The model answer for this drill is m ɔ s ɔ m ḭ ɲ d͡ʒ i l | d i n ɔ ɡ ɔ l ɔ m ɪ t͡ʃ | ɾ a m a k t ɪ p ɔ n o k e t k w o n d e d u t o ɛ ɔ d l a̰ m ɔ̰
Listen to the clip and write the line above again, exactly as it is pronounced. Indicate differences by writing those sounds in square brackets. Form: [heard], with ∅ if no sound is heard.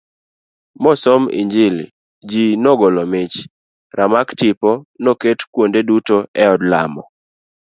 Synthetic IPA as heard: m ɔ s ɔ m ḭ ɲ d͡ʒ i l | [d͡ʒ] i n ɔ ɡ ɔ l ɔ m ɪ t͡ʃ | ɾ a m a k t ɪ p ɔ n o k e t k w o n d e d u t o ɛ ɔ d l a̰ m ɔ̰